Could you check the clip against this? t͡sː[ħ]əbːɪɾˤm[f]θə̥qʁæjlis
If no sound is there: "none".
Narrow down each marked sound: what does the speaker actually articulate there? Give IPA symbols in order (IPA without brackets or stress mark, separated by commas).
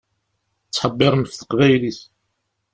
ħ, f